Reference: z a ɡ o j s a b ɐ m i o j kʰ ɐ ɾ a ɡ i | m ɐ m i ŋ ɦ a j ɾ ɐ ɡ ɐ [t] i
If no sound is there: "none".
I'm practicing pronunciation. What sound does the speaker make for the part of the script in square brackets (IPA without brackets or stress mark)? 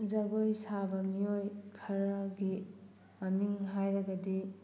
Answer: d